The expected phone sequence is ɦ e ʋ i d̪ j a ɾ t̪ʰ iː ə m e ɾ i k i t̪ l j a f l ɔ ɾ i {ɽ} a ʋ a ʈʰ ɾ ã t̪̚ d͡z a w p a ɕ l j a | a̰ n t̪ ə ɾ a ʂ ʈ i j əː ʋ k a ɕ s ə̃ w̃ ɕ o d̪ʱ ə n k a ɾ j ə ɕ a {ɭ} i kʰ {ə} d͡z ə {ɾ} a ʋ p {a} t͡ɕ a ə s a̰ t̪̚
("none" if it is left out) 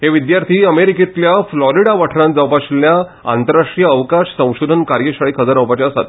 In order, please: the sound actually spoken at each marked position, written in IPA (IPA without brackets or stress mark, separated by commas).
ɽ, ɭ, ə, ɾ, a